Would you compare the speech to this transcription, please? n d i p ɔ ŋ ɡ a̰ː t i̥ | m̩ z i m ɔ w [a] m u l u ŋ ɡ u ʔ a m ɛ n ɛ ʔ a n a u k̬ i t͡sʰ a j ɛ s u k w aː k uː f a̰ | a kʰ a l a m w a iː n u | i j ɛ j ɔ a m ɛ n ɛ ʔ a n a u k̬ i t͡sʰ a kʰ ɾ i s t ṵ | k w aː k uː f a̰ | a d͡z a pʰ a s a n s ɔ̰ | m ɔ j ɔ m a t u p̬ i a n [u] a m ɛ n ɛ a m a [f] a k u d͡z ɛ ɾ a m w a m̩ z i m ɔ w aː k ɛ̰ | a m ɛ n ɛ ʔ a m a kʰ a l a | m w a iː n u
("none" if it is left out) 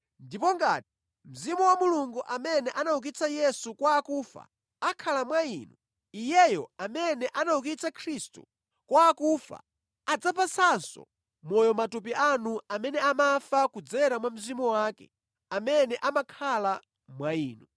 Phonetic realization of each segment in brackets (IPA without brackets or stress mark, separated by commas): a, u, f